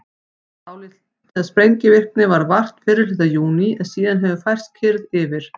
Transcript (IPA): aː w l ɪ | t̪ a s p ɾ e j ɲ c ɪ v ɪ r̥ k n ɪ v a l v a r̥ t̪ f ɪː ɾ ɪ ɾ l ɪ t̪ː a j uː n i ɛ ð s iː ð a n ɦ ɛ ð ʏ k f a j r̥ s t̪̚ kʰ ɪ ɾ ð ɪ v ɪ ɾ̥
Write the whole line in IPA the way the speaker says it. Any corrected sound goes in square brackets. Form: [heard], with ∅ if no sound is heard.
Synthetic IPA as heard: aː w l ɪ | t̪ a s p ɾ e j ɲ c ɪ v ɪ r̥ k n ɪ v a [ɾ] v a r̥ t̪ f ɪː ɾ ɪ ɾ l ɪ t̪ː a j uː n i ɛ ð s iː ð a n ɦ ɛ [v] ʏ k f a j r̥ s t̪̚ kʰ ɪ ɾ ð ɪ v ɪ ɾ̥